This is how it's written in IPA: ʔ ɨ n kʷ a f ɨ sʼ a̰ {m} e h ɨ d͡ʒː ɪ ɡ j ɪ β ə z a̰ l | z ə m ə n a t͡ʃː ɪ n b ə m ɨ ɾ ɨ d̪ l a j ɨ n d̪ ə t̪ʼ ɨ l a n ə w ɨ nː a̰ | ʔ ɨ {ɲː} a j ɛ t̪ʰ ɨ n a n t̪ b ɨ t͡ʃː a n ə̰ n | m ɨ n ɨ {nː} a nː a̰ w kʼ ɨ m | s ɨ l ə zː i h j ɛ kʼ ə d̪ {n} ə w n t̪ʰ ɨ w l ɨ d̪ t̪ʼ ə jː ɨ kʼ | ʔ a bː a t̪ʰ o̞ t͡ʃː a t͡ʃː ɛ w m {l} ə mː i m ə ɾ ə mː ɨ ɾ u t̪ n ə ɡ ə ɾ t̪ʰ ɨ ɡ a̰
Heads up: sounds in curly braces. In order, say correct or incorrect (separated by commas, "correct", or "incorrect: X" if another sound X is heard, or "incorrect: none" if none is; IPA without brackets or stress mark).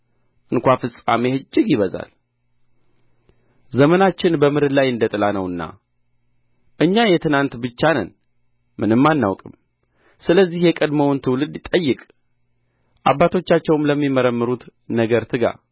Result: correct, correct, incorrect: mː, incorrect: m, correct